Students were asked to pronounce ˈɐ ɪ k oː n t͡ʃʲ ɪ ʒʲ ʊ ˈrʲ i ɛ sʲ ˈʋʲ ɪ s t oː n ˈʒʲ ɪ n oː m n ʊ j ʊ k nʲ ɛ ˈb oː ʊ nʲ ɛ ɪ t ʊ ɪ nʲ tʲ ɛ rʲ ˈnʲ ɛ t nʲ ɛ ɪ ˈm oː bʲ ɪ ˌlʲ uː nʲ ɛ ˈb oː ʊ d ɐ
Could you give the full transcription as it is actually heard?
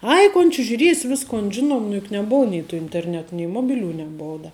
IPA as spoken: ˈɐ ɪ k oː n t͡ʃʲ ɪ ʒʲ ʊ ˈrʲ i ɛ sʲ ˈʋʲ ɪ s k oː n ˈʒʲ ɪ n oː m n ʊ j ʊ k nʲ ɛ ˈb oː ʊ nʲ ɛ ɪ t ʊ ɪ nʲ tʲ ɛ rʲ ˈnʲ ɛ t nʲ ɛ ɪ ˈm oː bʲ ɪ ˌlʲ uː nʲ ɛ ˈb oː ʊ d ɐ